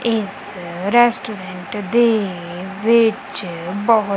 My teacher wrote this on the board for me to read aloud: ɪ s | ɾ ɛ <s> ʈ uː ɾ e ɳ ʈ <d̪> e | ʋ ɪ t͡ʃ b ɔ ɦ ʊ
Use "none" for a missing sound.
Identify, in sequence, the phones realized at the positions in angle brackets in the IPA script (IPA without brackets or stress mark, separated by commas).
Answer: s, d̪